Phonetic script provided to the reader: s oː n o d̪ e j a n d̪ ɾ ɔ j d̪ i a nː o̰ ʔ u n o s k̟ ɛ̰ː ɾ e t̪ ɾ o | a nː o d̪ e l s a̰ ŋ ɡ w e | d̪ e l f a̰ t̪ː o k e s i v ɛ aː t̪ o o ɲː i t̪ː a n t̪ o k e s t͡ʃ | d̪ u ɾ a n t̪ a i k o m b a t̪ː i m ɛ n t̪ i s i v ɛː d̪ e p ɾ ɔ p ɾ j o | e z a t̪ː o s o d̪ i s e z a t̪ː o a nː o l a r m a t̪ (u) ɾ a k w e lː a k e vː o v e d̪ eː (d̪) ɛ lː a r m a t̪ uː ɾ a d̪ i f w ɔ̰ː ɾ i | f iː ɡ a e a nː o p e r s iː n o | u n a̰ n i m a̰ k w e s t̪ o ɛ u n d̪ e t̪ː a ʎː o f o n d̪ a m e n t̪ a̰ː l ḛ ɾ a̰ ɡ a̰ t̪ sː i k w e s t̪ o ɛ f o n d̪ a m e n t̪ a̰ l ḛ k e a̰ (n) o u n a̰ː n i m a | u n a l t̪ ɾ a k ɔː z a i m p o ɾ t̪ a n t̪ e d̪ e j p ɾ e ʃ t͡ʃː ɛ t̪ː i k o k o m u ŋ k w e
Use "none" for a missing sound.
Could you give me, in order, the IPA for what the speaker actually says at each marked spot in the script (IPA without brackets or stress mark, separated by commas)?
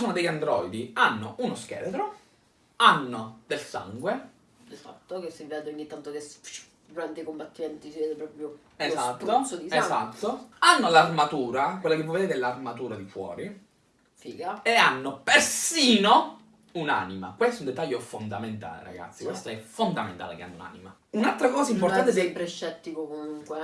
uː, t̪, nː